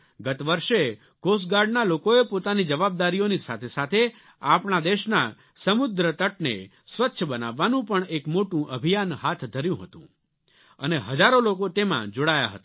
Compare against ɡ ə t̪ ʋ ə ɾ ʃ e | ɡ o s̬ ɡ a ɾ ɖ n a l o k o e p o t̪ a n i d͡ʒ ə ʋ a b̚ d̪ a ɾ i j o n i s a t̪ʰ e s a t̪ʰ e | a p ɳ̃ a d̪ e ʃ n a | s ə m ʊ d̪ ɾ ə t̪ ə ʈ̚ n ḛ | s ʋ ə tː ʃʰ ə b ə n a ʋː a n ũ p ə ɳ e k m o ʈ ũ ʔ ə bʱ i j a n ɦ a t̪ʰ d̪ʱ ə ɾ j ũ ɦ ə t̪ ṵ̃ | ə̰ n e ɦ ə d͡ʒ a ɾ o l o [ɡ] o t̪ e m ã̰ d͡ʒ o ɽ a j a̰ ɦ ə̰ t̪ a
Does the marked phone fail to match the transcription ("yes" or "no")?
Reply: yes